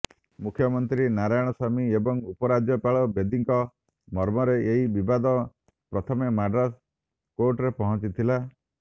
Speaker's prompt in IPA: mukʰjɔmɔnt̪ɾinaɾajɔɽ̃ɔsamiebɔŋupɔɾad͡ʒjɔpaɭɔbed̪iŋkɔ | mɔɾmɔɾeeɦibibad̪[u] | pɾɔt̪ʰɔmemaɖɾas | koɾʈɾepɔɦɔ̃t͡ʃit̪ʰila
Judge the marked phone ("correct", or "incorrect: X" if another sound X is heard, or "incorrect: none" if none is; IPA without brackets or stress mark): incorrect: ɔ